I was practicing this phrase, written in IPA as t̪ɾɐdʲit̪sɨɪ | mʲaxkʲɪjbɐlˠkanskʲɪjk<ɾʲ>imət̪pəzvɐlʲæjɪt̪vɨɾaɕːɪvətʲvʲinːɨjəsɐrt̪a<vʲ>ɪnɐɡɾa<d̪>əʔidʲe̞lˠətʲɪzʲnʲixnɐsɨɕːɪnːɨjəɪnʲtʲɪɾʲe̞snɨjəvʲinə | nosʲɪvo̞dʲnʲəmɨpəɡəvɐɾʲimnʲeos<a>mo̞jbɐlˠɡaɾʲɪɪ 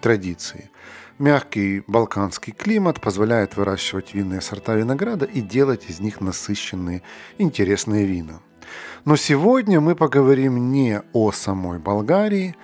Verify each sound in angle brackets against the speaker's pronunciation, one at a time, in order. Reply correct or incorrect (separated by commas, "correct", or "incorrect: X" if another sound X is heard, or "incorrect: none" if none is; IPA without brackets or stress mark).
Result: incorrect: lʲ, correct, correct, incorrect: ɐ